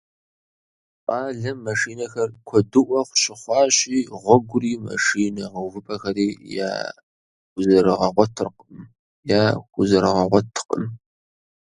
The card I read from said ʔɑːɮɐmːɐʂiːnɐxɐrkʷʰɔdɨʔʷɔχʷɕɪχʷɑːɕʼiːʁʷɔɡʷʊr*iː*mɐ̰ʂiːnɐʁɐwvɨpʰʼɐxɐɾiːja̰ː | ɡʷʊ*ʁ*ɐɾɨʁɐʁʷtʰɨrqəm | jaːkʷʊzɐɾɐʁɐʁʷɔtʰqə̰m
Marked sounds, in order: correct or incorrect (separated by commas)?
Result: correct, incorrect